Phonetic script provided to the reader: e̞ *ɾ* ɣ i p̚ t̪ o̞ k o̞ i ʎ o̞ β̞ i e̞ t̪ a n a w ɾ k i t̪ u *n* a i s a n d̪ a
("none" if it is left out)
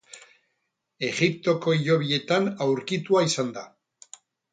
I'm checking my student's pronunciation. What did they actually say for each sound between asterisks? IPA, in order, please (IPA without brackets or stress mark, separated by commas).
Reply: none, none